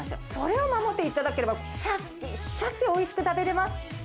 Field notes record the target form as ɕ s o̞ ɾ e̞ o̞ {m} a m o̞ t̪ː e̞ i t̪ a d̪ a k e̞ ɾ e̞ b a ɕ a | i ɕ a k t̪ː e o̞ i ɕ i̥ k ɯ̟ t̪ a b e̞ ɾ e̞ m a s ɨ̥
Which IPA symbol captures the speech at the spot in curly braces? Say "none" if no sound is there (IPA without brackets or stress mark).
m